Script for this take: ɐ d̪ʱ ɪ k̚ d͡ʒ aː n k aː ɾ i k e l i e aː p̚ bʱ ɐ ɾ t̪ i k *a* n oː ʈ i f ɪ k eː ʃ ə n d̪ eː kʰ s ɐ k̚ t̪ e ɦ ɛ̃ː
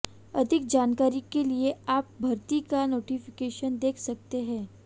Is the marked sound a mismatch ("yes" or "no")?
no